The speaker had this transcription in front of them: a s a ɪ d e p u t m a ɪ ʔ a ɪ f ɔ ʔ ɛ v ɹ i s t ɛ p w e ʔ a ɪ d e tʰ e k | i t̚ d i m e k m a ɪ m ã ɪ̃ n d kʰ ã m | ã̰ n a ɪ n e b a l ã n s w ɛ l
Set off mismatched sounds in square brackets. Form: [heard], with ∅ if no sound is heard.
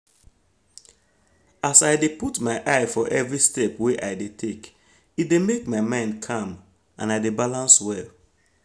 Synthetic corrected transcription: a s a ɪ d e p u t m a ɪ ʔ a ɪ f ɔ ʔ ɛ v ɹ i s t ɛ p w e ʔ a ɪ d e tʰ e k | i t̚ d [e] m e k m a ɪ m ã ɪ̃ n d kʰ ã m | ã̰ n a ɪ [d] e b a l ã n s w ɛ l

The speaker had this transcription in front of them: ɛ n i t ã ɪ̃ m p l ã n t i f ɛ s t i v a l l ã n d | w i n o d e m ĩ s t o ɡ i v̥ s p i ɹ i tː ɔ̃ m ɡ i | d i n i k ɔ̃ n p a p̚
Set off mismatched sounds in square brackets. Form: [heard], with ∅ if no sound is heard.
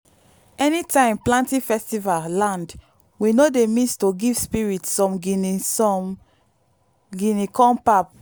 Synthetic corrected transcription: ɛ n i t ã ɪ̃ m p l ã n t i f ɛ s t i v a l l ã n d | w i n o d e m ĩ s t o ɡ i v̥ s p i ɹ i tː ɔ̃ m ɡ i | [ɡ] i n i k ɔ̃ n p a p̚

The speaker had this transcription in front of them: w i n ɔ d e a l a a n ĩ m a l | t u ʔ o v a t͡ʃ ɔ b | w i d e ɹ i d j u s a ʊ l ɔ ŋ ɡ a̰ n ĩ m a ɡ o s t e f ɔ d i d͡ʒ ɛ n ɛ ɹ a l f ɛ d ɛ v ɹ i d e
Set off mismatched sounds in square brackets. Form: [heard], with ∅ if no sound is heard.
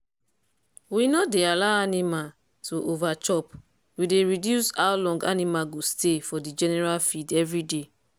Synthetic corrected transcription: w i n ɔ d e a l a a n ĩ m a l | t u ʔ o v a t͡ʃ ɔ [p] | w i d e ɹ i d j u s a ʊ l [ɔ̃] ŋ ɡ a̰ n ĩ m a ɡ o s t e f ɔ d i d͡ʒ ɛ n ɛ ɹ a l f [i] d ɛ v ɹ i d e

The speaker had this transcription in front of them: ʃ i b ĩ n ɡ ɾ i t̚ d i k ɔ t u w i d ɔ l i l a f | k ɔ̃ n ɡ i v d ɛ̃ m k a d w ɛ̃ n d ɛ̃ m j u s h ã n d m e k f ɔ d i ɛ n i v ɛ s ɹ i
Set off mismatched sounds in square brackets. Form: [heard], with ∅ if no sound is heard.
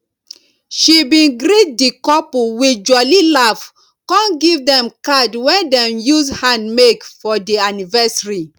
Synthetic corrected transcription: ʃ i b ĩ n ɡ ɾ i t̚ d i k ɔ [p] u w i [d͡ʒ] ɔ l i l a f | k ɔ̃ n ɡ i v d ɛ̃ m k a d w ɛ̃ n d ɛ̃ m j u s h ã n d m e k f ɔ d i [a] n i v ɛ s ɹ i

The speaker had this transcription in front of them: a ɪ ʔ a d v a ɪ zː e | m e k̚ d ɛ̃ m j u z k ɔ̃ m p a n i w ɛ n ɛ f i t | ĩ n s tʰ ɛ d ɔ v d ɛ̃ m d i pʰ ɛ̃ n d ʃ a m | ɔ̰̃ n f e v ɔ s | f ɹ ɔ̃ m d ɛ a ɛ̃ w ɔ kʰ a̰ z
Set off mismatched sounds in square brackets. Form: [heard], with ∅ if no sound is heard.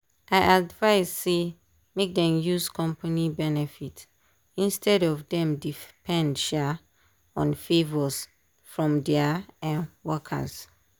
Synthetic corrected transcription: a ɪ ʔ a d v a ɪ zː e | m e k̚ d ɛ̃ m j u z k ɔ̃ m p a n i [b] ɛ n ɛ f i t | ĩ n s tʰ ɛ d ɔ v d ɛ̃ m d i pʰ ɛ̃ n d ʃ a [∅] | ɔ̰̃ n f e v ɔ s | f ɹ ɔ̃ m d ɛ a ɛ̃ w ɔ kʰ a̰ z

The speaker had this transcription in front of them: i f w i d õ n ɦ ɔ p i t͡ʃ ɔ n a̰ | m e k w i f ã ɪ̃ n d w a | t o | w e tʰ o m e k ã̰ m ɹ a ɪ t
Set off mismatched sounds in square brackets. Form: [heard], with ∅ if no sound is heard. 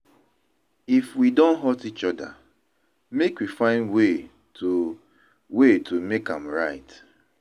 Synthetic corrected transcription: i f w i d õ n ɦ ɔ [t] i t͡ʃ ɔ [d] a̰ | m e k w i f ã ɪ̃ n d w [e] | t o | w e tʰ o m e k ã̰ m ɹ a ɪ t

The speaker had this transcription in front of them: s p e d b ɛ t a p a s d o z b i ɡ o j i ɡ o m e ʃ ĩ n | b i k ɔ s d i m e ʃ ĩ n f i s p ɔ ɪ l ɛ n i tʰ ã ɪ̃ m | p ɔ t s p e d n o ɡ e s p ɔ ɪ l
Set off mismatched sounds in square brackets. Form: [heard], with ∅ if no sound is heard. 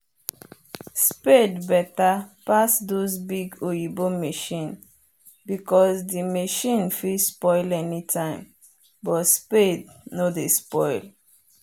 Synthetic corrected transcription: s p e d b ɛ t a p a s d o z b i ɡ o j i [b] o m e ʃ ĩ n | b i k ɔ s d i m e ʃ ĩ n f i s p ɔ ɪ l ɛ n i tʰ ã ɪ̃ m | [b] ɔ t s p e d n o [d] e s p ɔ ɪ l

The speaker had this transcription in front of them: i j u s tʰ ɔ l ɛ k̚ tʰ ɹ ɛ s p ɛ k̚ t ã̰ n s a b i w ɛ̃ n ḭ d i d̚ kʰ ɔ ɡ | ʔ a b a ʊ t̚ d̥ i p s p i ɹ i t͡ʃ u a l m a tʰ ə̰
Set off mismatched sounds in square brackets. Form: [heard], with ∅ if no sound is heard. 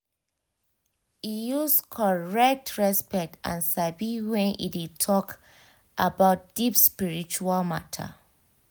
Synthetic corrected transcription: i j u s [kʰ] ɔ [ɹ] ɛ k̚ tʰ ɹ ɛ s p ɛ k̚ t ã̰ n s a b i w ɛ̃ n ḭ d i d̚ [tʰ] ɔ [k] | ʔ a b a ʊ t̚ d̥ i p s p i ɹ i t͡ʃ u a l m a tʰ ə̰

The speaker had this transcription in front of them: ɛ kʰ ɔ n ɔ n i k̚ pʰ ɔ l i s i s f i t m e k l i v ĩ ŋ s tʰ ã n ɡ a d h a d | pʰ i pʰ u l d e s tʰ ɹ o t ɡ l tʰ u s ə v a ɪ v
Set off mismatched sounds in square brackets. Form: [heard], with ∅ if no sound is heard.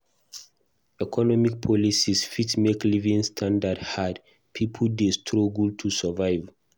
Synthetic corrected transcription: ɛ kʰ ɔ n ɔ [m] i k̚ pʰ ɔ l i s i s f i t m e k l i v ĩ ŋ s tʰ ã n [d] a d h a d | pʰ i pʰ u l d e s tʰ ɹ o [∅] ɡ l tʰ u s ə v a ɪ v

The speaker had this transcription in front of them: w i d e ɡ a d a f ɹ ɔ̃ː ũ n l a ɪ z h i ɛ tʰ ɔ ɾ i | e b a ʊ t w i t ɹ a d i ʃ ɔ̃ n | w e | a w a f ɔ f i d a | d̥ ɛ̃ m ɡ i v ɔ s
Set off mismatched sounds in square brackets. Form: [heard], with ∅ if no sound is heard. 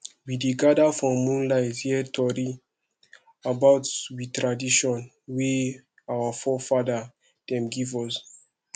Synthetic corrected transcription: w i d e ɡ a d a f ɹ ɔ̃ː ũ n l a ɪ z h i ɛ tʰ ɔ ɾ i | [a] b a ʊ t w i t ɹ a d i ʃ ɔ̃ n | w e | a w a f ɔ f [a] d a | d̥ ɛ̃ m ɡ i v ɔ s

